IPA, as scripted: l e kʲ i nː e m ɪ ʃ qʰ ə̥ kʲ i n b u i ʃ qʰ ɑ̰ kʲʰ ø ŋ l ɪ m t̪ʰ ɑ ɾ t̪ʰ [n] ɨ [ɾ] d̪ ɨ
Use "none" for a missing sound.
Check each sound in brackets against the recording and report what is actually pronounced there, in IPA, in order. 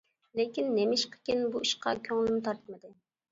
m, none

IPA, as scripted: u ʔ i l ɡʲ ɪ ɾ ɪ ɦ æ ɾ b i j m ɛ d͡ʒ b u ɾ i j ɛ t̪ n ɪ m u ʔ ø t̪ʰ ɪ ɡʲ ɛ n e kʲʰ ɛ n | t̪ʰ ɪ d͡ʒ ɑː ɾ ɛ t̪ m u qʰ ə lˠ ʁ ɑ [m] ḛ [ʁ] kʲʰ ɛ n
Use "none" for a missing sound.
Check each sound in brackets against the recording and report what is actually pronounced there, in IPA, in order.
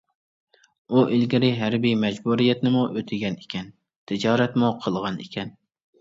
n, none

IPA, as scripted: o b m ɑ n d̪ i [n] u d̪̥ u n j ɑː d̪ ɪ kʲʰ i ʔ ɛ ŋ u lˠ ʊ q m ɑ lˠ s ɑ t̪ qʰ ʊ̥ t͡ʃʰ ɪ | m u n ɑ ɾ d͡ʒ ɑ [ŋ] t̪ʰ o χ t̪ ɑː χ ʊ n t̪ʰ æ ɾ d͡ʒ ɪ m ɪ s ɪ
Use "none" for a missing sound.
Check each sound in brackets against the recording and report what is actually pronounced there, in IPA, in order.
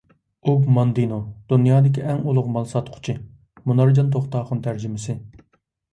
n, n

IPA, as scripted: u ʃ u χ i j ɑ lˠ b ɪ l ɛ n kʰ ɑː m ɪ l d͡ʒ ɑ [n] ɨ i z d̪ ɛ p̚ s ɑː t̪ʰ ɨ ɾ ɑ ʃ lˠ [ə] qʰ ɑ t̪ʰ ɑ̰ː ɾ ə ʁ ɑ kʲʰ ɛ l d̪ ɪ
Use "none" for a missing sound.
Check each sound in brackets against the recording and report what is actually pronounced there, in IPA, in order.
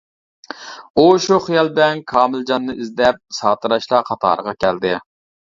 nː, ɑ

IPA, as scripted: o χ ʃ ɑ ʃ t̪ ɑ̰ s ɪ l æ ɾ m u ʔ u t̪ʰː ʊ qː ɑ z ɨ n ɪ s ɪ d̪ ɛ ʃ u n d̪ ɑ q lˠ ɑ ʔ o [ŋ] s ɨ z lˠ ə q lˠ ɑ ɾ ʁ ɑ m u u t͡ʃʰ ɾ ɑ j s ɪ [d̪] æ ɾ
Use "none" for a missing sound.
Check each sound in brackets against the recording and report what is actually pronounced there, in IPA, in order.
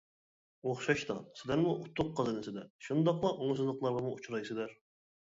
ŋ, d̪

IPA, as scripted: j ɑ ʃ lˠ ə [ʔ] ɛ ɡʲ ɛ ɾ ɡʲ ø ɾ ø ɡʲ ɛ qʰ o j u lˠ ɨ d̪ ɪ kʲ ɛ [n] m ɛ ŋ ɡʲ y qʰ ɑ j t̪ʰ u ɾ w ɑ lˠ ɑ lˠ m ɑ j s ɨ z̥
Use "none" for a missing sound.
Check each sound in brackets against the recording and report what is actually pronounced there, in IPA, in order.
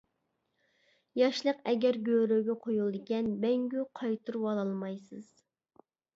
q, n

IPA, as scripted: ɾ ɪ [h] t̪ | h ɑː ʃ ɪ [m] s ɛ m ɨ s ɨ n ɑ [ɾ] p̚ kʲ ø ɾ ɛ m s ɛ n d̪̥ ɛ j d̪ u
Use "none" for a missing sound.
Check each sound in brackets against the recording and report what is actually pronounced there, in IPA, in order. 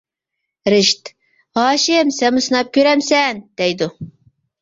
ʃ, m, none

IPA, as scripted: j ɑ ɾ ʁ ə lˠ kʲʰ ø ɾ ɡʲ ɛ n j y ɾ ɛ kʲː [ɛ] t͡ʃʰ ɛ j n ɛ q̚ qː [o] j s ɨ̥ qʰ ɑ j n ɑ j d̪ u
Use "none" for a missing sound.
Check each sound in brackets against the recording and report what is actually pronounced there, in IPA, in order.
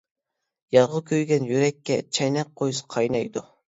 ɛ, o

